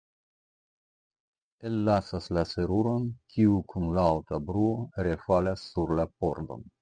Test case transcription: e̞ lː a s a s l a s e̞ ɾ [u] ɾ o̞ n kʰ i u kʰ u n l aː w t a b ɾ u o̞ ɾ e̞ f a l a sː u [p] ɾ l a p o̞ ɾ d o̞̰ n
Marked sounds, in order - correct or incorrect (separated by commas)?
correct, incorrect